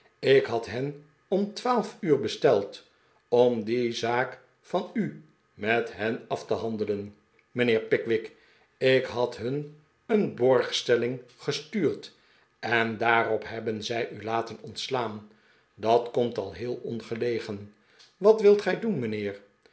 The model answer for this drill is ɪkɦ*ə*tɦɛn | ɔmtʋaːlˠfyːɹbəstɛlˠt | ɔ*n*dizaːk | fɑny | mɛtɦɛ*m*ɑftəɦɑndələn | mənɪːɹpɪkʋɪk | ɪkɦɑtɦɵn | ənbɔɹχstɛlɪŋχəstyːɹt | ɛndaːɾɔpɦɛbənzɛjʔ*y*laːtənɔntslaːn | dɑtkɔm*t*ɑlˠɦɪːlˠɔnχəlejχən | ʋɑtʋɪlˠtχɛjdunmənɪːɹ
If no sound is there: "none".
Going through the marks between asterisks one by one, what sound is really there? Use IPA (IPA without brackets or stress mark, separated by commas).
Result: ɑ, m, n, y, t